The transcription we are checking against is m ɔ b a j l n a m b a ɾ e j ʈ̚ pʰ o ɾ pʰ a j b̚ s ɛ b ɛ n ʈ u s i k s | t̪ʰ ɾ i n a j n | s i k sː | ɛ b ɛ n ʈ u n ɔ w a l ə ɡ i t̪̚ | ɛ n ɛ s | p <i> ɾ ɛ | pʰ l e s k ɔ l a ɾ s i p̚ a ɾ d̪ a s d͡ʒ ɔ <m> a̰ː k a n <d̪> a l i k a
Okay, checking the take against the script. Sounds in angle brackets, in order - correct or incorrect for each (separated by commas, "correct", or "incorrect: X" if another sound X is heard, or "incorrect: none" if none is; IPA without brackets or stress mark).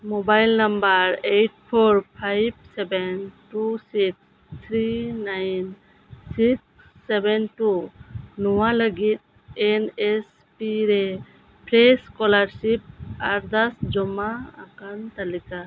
correct, correct, incorrect: t̪